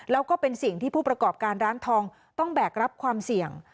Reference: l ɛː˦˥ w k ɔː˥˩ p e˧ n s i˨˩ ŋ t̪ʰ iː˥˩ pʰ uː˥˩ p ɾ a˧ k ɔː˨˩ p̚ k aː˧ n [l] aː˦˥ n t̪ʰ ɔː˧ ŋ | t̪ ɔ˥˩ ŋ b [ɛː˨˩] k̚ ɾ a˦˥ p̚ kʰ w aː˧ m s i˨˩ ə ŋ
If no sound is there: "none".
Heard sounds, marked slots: ɾ, ɛː˨˩

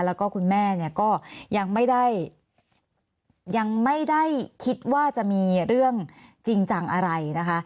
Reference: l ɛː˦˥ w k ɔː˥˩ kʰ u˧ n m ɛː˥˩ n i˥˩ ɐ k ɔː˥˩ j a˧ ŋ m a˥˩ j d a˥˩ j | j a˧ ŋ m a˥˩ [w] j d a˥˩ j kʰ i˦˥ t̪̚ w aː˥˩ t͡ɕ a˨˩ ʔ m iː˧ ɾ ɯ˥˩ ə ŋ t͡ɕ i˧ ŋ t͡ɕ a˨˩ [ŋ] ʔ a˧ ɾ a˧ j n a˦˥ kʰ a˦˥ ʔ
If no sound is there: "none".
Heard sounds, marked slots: none, ŋ

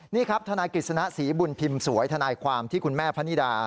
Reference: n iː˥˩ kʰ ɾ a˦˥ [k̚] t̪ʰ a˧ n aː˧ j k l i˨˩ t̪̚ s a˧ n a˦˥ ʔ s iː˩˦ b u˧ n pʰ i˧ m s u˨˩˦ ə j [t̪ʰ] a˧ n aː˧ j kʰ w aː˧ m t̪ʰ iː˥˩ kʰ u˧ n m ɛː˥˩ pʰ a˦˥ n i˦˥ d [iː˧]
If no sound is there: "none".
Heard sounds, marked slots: p̚, t̪ʰ, aː˧

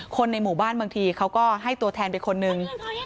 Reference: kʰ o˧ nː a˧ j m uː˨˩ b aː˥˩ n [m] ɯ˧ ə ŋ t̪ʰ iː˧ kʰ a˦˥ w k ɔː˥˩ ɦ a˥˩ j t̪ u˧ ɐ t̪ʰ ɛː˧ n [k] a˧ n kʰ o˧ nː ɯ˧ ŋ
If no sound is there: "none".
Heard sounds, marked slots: b, p

